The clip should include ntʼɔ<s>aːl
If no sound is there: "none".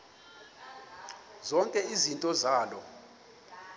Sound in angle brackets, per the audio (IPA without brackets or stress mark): z